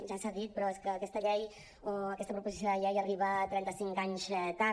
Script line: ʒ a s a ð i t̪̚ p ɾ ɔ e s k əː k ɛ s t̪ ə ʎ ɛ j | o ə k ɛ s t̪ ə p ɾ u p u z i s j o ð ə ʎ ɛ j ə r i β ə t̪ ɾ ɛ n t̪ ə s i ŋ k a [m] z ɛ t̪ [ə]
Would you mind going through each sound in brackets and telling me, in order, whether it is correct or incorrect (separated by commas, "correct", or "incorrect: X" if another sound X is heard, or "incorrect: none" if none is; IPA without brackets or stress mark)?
incorrect: ɲ, incorrect: a